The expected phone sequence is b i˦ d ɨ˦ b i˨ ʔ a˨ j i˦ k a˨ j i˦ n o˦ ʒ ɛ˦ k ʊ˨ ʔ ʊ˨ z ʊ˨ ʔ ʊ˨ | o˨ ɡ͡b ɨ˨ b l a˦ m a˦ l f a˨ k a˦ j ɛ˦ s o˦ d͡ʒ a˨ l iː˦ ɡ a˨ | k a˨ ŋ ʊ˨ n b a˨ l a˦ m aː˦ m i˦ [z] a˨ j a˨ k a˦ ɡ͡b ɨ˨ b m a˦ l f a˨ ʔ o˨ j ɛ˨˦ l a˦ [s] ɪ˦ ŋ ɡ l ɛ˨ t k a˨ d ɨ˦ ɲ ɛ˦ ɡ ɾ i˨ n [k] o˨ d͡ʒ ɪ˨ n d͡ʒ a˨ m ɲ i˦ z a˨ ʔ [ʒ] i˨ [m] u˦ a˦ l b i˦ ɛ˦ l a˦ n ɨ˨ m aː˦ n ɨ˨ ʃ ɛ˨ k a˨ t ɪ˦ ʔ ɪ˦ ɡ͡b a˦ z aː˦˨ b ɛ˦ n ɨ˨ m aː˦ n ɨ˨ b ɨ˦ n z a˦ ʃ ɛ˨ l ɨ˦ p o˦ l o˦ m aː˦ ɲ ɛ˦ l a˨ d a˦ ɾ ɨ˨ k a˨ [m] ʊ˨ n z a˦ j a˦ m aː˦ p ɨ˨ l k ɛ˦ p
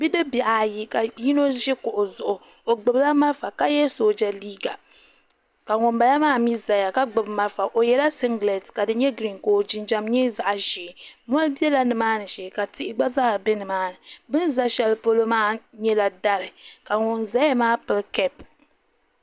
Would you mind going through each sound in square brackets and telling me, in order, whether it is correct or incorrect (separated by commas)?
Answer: correct, correct, correct, correct, correct, incorrect